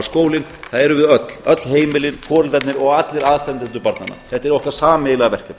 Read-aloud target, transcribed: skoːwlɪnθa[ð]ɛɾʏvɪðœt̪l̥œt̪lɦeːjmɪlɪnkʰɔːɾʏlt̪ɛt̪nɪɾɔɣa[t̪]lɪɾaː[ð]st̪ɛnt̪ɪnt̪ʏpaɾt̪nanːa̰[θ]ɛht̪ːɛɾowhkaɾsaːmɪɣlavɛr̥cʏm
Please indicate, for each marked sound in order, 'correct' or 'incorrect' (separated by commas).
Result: correct, correct, correct, correct